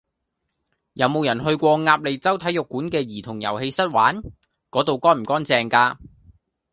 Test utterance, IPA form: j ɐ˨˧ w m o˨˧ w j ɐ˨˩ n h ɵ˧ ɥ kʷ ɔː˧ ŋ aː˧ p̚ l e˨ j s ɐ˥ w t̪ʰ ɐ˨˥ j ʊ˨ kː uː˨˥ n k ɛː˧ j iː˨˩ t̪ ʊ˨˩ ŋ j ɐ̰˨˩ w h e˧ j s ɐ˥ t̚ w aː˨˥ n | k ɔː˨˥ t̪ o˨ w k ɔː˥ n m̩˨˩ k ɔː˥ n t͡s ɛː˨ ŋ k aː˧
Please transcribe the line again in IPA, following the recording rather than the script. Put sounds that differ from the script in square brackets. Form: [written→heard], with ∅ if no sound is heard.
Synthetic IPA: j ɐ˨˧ w m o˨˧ w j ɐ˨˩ n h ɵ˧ ɥ kʷ ɔː˧ ŋ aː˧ p̚ l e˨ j [s→t͡s] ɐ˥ w t̪ʰ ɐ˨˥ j ʊ˨ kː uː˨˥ n k ɛː˧ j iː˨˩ [t̪→t̪ʰ] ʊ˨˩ ŋ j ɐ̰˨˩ w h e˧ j s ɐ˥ t̚ w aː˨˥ n | k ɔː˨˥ t̪ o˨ w k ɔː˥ n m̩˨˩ k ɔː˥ n t͡s ɛː˨ ŋ k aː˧